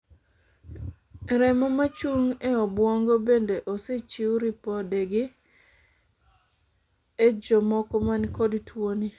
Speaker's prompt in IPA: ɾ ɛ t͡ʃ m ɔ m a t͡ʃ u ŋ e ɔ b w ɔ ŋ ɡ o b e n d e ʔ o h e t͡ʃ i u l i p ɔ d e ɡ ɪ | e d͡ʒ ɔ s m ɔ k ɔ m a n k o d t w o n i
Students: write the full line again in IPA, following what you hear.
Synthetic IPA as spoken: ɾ ɛ m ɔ m a t͡ʃ u ŋ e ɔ b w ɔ ŋ ɡ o b e n d e ʔ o s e t͡ʃ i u ɾ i p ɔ d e ɡ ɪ | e d͡ʒ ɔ m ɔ k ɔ m a n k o d t w o n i